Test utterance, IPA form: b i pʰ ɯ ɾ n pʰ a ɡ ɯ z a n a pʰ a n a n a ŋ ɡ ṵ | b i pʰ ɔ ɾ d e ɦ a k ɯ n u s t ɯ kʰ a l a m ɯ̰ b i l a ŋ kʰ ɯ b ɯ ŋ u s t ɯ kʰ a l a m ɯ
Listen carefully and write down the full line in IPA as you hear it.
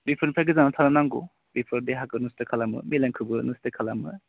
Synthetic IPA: b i pʰ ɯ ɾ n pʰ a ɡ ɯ z a n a tʰ a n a n a ŋ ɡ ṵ | b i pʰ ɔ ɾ d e ɦ a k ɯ n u s t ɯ kʰ a l a m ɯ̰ m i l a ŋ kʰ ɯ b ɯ n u s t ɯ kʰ a l a m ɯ